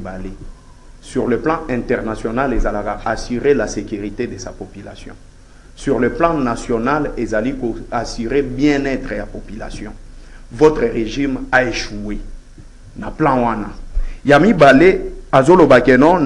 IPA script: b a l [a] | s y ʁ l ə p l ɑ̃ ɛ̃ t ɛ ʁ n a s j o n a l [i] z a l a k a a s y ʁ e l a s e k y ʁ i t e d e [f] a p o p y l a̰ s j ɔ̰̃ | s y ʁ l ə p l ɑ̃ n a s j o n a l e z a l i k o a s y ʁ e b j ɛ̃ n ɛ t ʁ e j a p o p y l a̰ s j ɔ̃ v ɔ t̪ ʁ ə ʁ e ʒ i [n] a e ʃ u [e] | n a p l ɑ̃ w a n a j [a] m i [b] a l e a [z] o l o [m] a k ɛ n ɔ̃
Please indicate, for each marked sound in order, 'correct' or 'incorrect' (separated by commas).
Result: incorrect, incorrect, incorrect, incorrect, correct, correct, correct, correct, incorrect